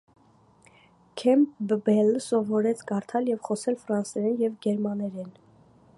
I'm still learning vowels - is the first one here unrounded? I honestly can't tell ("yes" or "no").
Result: yes